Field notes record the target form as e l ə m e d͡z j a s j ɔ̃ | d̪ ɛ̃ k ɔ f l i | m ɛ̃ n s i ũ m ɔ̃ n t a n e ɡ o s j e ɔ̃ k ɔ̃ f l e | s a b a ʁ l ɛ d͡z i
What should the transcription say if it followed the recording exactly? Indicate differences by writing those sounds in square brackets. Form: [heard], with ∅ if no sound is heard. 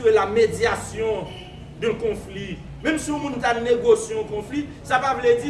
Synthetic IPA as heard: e l [a] m e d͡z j a s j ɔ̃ | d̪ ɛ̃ k [ɔ̃] f l i | m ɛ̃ [m] s i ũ m [ũ] n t a n e ɡ o s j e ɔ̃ k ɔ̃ f l [i] | s a [p] a [v] l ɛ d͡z i